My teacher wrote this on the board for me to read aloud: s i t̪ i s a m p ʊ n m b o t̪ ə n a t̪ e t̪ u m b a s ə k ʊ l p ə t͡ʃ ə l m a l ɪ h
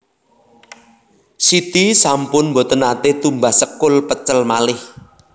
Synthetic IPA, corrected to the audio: s i t̪ i s a m p ʊ n m b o t̪ ə n a t̪ e t̪ u m b a s ə k ʊ l p ə t͡ʃ ə l m a l ɪ h